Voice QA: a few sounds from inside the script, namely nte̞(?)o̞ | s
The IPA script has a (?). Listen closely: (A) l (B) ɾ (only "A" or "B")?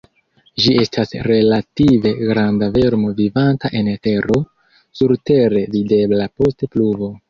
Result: B